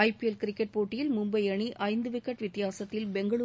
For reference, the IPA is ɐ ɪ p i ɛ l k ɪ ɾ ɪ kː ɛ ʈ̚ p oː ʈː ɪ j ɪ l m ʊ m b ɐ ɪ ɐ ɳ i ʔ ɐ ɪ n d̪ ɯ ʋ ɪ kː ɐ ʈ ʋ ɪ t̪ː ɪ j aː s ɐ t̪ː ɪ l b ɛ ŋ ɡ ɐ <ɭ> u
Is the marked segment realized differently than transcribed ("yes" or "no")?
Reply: no